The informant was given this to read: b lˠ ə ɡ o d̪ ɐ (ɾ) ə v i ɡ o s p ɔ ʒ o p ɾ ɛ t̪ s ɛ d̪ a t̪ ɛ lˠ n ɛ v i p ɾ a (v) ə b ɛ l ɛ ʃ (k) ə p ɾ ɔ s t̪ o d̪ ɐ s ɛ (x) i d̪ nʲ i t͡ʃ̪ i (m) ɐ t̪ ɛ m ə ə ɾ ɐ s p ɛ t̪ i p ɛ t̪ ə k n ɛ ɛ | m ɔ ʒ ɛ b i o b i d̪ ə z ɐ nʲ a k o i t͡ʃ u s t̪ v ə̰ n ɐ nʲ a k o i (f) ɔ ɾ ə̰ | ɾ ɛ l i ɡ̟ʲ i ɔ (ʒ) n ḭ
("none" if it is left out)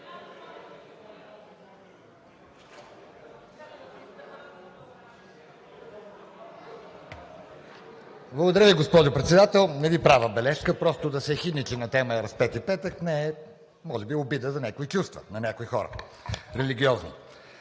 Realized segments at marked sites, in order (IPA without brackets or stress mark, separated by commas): ɾ, v, k, x, n, x, z